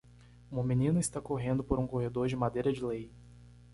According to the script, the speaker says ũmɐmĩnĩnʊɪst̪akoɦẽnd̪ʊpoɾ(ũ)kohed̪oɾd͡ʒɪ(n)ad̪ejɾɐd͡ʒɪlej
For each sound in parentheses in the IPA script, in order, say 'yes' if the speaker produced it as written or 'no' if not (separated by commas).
yes, no